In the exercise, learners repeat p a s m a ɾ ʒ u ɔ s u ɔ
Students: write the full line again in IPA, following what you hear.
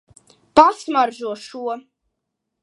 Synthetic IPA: p a s m a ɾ ʒ u ɔ ʃ u ɔ